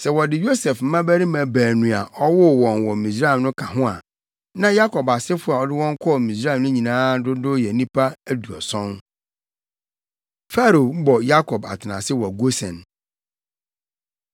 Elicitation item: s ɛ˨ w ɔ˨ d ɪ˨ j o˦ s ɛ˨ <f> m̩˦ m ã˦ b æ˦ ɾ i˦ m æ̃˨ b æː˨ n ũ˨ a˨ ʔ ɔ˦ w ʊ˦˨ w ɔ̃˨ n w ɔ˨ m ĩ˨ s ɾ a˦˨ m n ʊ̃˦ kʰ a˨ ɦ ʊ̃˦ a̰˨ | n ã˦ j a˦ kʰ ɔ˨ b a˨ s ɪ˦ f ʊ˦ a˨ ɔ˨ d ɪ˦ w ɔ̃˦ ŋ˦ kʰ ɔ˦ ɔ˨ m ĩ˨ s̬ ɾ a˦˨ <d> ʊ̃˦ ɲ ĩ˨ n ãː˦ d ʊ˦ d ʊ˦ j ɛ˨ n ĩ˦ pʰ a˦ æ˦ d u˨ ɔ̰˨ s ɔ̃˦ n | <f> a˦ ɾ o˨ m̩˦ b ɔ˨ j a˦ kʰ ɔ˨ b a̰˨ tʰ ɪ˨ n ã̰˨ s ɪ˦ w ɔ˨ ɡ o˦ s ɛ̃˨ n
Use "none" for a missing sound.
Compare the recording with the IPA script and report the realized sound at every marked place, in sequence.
f, n, f

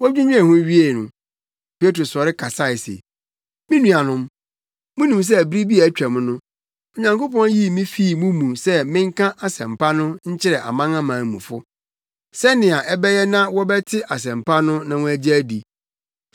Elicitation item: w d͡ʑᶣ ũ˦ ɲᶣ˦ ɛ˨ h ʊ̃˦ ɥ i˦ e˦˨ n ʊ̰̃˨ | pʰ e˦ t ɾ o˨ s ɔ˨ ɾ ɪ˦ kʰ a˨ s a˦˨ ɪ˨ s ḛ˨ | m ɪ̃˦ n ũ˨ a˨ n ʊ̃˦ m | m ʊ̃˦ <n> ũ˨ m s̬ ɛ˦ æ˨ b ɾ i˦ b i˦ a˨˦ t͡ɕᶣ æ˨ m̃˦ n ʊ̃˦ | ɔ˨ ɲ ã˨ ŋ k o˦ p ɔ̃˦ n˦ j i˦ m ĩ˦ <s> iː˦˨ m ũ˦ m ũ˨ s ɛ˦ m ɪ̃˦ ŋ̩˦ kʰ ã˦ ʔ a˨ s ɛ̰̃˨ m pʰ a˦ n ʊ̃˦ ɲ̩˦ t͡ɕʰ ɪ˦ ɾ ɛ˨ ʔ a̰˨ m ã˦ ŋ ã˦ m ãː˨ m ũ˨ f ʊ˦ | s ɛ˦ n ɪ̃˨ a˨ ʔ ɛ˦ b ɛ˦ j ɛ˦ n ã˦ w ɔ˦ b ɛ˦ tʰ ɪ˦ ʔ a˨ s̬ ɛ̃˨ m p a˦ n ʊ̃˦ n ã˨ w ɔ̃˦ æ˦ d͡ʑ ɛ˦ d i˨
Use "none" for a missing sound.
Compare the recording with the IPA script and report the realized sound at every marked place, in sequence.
n, f

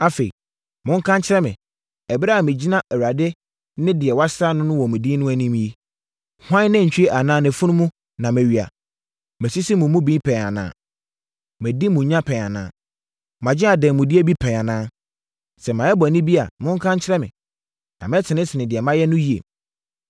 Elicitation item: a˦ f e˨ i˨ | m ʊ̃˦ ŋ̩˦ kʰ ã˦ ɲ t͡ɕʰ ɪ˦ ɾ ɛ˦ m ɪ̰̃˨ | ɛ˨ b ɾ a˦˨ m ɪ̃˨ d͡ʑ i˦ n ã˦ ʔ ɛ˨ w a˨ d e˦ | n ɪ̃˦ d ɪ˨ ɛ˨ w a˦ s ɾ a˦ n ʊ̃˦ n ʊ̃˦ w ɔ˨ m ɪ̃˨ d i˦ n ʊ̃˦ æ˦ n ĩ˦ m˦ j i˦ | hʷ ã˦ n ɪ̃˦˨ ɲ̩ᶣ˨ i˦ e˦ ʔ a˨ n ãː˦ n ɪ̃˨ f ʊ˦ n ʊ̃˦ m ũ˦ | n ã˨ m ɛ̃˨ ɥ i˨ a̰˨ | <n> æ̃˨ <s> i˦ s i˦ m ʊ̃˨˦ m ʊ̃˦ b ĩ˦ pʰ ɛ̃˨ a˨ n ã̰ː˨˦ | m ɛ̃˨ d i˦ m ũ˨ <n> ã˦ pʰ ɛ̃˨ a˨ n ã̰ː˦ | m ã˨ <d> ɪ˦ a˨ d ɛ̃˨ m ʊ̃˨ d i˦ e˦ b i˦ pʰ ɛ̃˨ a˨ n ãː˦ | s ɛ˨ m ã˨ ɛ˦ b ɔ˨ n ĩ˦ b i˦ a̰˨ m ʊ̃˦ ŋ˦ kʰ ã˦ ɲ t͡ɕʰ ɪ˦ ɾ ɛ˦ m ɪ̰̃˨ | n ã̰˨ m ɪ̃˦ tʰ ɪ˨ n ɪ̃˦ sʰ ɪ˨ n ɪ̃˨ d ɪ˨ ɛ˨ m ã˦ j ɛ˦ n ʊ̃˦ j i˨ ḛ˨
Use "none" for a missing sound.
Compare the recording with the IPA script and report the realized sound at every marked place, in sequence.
m, s, ɲ, d͡ʑ

